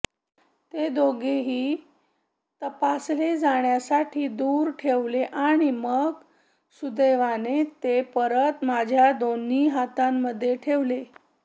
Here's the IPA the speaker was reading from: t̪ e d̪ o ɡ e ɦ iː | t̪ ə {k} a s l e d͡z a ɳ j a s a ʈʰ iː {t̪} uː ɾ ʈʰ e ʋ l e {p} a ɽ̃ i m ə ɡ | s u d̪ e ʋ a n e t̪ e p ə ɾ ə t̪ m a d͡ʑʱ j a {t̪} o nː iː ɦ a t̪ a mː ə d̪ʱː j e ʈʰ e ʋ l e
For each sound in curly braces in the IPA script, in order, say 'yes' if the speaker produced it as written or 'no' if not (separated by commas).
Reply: no, no, no, no